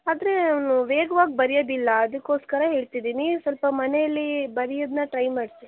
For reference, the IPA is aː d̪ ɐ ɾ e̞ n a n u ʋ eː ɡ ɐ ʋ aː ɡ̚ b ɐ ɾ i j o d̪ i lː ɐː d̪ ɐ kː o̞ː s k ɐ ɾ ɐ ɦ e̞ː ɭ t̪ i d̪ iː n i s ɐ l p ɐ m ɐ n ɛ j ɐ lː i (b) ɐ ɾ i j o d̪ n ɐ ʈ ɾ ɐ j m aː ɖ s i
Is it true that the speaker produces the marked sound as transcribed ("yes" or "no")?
yes